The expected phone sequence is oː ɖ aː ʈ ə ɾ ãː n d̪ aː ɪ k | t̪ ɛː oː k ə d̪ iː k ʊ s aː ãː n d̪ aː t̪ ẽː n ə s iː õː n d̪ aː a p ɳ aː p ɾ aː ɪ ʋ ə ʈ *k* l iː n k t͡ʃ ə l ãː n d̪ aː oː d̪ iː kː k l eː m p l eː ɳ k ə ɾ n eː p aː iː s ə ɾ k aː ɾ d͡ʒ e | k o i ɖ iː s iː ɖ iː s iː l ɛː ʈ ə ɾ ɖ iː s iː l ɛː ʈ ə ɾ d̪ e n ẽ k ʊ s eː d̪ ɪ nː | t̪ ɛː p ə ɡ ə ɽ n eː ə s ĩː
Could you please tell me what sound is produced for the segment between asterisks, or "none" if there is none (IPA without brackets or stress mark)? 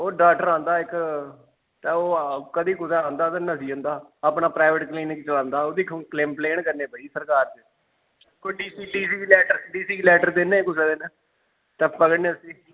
k